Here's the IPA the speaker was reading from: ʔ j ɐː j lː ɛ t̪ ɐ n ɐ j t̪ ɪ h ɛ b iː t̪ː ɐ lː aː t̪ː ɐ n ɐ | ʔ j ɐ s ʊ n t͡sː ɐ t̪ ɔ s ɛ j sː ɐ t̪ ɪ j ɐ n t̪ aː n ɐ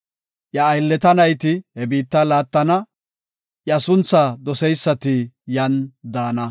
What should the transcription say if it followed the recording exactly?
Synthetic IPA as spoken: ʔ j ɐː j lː ɛ t̪ ɐ n ɐ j t̪ ɪ h ɛ b iː t̪ː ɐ l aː t̪ː ɐ n ɐ | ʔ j ɐ s ʊ n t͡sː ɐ d̪ ɔ s ɛ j sː ɐ t̪ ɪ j ɐ n d̪ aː n ɐ